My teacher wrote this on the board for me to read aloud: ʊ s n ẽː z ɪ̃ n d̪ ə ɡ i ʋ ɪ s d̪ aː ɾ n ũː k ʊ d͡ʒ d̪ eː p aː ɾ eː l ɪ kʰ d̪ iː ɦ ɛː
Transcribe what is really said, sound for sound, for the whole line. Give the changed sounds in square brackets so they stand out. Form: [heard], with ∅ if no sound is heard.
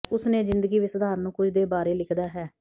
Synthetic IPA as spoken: ʊ s n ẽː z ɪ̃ n d̪ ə ɡ [iː] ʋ ɪ s d̪ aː ɾ n ũː k ʊ d͡ʒ d̪ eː [b] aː ɾ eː l ɪ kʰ d̪ [aː] ɦ ɛː